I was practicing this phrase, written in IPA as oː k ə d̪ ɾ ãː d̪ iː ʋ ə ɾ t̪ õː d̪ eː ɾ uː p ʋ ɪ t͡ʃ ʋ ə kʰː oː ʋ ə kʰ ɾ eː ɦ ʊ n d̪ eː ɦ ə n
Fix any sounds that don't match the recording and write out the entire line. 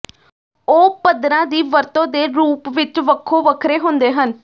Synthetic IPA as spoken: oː p ə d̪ ɾ ãː d̪ iː ʋ ə ɾ t̪ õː d̪ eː ɾ uː p ʋ ɪ t͡ʃ ʋ ə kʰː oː ʋ ə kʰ ɾ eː ɦ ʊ n d̪ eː ɦ ə n

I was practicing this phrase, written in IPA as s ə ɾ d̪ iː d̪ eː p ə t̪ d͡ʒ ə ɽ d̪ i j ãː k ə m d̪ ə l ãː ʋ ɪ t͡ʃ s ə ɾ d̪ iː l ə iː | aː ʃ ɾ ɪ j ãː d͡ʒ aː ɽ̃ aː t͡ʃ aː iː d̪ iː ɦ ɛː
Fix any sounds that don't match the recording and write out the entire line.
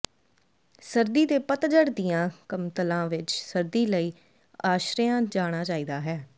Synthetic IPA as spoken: s ə ɾ d̪ iː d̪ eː p ə t̪ d͡ʒ ə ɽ d̪ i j ãː k ə m t̪ ə l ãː ʋ ɪ t͡ʃ s ə ɾ d̪ iː l ə iː | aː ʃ ɾ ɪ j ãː d͡ʒ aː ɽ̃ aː t͡ʃ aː iː d̪ aː ɦ ɛː

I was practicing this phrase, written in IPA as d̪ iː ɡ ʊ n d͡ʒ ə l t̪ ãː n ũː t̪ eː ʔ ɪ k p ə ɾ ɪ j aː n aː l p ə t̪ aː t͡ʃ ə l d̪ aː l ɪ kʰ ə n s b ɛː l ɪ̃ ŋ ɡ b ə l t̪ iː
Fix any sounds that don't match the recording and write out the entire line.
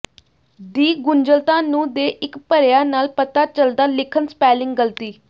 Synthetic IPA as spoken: d̪ iː ɡ ʊ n d͡ʒ ə l t̪ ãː n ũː d̪ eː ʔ ɪ k p ə ɾ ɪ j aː n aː l p ə t̪ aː t͡ʃ ə l d̪ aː l ɪ kʰ ə n s p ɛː l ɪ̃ ŋ ɡ ɡ ə l t̪ iː

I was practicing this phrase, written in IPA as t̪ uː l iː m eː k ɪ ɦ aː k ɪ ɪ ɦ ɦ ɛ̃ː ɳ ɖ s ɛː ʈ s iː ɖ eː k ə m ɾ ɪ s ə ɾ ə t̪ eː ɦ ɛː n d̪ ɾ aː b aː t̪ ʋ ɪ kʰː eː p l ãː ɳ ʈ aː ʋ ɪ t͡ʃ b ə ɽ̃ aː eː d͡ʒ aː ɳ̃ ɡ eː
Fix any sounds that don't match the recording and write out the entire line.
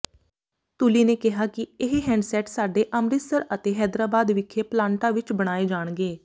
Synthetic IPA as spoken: t̪ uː l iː n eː k ɪ ɦ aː k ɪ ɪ ɦ ɦ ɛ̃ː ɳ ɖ s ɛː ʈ s aː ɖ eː ʔ ə m ɾ ɪ s ə ɾ ə t̪ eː ɦ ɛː d̪ ɾ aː b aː d̪ ʋ ɪ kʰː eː p l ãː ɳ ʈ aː ʋ ɪ t͡ʃ b ə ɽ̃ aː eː d͡ʒ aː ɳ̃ ɡ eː

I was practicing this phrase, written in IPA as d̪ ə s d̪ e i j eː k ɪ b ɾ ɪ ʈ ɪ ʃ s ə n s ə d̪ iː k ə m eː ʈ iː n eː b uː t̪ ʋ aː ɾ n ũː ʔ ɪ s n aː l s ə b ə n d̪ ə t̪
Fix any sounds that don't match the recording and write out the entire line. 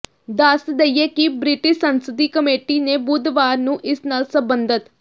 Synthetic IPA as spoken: d̪ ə s d̪ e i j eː k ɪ b ɾ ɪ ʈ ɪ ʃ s ə n s ə d̪ iː k ə m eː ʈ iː n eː b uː d̪ ʋ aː ɾ n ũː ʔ ɪ s n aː l s ə b ə n d̪ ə t̪

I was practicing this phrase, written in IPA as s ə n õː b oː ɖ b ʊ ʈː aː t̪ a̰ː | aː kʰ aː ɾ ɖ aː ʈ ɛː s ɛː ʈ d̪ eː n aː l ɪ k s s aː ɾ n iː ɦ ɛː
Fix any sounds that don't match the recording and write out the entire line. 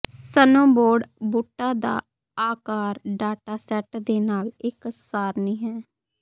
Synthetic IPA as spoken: s ə n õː b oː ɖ b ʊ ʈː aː d̪ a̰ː | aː k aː ɾ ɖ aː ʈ aː s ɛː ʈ d̪ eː n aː l ɪ k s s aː ɾ n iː ɦ ɛː

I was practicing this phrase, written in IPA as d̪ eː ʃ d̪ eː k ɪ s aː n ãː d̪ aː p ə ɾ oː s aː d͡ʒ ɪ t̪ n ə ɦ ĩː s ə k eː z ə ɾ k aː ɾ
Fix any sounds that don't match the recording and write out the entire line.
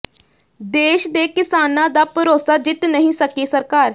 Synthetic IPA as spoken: d̪ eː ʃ d̪ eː k ɪ s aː n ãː d̪ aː p ə ɾ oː s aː d͡ʒ ɪ t̪ n ə ɦ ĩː s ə k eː s ə ɾ k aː ɾ

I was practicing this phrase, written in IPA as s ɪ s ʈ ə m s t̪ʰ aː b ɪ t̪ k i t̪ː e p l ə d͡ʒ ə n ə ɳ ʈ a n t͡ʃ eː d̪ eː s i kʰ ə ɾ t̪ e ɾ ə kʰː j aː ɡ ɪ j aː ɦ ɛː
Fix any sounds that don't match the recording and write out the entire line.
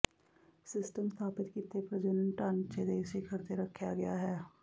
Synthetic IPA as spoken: s ɪ s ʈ ə m s t̪ʰ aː p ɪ t̪ k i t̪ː e p ɾ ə d͡ʒ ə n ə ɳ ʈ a n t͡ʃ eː d̪ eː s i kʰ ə ɾ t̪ e ɾ ə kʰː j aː ɡ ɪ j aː ɦ ɛː

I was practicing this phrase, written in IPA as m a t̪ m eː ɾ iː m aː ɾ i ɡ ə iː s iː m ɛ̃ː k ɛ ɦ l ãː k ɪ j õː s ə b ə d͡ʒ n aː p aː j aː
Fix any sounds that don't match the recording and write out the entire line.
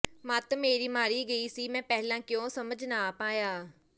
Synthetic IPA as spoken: m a t̪ m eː ɾ iː m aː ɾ iː ɡ ə iː s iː m ɛ̃ː p ɛ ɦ l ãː k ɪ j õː s ə m ə d͡ʒ n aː p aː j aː

